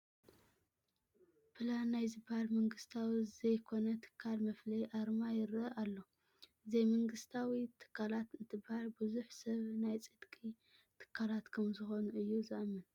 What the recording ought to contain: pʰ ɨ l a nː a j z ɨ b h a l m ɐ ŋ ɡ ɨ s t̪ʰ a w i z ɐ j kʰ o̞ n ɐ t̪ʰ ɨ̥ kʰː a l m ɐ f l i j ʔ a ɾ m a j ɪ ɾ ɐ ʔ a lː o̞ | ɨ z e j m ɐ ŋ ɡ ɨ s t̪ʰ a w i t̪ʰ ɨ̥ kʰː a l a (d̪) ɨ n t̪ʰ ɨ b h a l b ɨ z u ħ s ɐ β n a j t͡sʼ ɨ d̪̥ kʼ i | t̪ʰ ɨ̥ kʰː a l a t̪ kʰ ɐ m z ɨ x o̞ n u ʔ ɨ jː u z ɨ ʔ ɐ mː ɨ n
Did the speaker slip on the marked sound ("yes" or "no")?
yes